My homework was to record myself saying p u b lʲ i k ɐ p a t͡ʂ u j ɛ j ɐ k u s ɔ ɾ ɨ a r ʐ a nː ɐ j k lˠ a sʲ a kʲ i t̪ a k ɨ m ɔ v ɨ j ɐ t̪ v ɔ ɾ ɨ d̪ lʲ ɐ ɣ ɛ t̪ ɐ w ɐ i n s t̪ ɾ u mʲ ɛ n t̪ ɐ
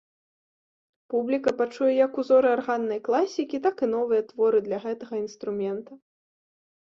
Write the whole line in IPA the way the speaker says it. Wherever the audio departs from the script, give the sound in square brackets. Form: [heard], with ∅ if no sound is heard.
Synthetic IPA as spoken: p u b lʲ i k ɐ p a t͡ʂ u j ɛ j ɐ k u [z] ɔ ɾ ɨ a r [ɣ] a nː ɐ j k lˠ a sʲ [i] kʲ i t̪ a k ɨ [n] ɔ v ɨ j ɐ t̪ v ɔ ɾ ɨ d̪ lʲ ɐ ɣ ɛ t̪ ɐ [ɣ] ɐ i n s t̪ ɾ u mʲ ɛ n t̪ ɐ